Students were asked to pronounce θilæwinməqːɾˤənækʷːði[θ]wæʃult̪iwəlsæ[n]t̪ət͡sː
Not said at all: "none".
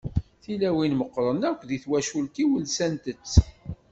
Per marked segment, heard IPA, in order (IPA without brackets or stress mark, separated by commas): θ, n